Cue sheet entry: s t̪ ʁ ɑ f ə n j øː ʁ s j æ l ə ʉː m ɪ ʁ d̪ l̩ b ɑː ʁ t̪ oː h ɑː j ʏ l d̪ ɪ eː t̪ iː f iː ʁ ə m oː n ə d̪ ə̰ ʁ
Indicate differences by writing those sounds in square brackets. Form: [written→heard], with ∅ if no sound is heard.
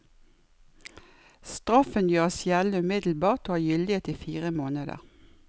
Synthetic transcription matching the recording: s t̪ ʁ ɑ f ə n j øː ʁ s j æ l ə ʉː m ɪ [ʁ→∅] d̪ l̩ b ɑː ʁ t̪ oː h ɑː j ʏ l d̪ ɪ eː t̪ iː f iː ʁ ə m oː n ə d̪ ə̰ ʁ

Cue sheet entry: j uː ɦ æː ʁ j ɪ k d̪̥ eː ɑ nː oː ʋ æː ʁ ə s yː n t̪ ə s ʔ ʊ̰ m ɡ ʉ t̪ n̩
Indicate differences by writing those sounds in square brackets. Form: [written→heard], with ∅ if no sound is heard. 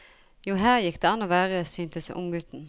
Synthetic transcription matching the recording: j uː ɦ æː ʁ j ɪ k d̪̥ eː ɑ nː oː ʋ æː ʁ ə s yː n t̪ ə s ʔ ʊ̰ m ɡ ʉ t̪ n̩

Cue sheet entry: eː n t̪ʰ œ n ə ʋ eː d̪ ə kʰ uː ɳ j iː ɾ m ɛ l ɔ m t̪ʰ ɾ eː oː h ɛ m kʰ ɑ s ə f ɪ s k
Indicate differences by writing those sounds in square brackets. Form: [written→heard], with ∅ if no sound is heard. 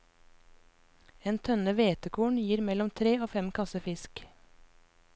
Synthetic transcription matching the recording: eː n t̪ʰ œ n ə ʋ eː [d̪→t̪] ə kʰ uː ɳ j iː ɾ m ɛ l ɔ m t̪ʰ ɾ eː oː [h→f] ɛ m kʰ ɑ s ə f ɪ s k

